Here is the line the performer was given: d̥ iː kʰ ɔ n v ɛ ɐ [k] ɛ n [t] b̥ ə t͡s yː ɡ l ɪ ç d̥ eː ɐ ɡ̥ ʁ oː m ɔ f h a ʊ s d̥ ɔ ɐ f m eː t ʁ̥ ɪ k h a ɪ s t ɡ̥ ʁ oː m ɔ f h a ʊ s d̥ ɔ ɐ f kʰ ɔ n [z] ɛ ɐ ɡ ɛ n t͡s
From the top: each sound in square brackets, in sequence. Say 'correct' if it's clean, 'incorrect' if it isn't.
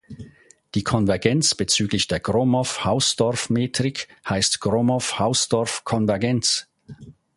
incorrect: ɡ, incorrect: t͡s, incorrect: v

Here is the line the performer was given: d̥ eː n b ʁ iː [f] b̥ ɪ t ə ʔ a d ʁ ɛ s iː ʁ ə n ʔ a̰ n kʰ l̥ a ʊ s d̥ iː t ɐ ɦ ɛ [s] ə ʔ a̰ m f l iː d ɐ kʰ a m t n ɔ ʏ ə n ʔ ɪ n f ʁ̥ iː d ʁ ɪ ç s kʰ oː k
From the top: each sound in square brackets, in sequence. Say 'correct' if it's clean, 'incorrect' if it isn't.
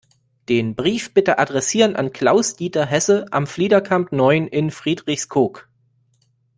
correct, correct

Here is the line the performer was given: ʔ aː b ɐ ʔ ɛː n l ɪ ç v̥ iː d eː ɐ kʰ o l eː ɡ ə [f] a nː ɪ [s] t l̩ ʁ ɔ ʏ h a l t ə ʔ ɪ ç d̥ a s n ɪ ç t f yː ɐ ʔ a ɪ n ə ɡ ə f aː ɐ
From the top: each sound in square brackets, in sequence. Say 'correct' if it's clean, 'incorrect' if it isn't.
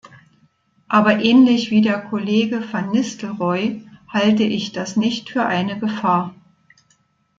correct, correct

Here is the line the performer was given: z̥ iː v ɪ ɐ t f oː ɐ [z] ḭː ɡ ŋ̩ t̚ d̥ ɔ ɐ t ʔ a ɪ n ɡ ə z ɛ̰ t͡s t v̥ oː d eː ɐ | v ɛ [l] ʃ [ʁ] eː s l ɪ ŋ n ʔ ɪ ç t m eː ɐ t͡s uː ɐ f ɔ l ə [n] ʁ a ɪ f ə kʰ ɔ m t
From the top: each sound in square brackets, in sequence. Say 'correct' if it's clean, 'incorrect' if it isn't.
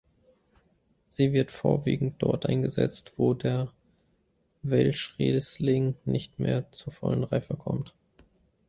incorrect: v, correct, correct, correct

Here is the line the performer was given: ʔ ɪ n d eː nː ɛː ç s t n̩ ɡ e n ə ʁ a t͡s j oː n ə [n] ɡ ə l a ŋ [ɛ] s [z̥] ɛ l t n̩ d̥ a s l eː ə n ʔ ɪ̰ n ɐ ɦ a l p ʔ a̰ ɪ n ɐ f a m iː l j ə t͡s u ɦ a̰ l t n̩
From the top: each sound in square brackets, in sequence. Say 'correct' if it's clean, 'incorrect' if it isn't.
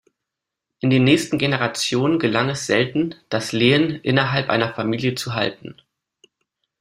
correct, correct, correct

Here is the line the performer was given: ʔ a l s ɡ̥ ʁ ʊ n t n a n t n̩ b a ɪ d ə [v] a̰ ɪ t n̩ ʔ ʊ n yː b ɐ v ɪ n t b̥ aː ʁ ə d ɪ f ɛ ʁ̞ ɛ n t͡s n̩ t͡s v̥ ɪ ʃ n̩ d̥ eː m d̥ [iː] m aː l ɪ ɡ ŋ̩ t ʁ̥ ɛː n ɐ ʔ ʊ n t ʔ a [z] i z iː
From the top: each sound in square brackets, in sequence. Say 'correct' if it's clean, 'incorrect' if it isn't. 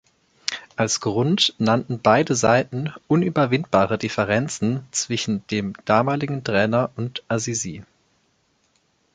incorrect: z, incorrect: aː, correct

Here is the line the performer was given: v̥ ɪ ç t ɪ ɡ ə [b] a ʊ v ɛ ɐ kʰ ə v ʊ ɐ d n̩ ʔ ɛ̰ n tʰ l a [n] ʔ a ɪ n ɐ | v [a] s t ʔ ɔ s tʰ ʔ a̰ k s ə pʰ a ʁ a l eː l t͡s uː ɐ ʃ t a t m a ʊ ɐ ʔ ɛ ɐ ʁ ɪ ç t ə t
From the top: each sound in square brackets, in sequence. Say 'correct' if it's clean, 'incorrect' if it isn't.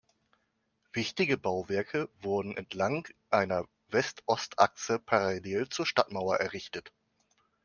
correct, incorrect: ŋ, incorrect: ɛ

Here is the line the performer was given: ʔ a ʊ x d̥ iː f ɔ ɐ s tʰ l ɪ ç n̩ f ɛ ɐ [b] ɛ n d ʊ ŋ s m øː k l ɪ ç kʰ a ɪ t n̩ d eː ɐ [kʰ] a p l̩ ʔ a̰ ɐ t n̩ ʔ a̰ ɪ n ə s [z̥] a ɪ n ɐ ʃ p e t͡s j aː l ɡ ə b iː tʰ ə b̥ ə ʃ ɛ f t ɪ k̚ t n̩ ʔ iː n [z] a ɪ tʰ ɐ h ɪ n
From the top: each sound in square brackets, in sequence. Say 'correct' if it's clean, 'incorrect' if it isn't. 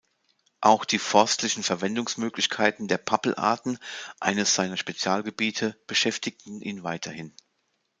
incorrect: v, incorrect: pʰ, correct, incorrect: v

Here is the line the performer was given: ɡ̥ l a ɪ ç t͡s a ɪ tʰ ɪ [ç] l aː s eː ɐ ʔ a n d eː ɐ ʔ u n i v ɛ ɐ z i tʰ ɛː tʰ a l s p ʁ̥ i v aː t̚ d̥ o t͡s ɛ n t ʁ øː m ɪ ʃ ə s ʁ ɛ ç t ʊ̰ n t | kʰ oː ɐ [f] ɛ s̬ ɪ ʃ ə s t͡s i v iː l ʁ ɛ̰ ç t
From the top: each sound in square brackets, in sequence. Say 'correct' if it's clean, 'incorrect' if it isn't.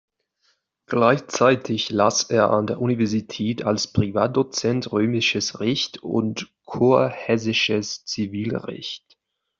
correct, incorrect: h

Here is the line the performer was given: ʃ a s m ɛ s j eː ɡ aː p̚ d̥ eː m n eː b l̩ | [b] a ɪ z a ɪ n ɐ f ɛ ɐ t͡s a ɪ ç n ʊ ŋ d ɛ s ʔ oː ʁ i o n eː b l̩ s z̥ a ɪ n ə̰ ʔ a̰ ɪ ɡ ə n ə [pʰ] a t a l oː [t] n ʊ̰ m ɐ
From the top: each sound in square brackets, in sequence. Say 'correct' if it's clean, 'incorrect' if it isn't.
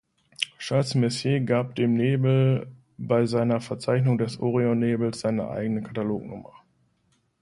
correct, incorrect: kʰ, incorrect: k

